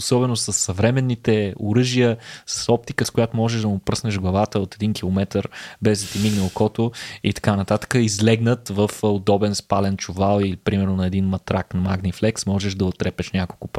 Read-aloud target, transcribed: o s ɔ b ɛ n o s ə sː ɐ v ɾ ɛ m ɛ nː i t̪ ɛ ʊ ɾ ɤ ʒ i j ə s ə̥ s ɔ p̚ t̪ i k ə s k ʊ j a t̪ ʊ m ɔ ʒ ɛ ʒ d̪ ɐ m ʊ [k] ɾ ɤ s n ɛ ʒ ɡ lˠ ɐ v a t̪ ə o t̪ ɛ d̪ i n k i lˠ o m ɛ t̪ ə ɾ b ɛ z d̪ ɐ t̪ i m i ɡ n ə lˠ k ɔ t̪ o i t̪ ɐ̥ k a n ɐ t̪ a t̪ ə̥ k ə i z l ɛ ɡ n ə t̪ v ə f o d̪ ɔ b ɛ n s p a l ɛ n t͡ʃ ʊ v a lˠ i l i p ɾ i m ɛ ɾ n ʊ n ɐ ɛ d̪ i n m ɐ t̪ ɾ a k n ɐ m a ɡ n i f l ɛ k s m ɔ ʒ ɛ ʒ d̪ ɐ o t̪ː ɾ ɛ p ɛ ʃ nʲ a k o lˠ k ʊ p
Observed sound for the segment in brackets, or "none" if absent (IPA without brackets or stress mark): p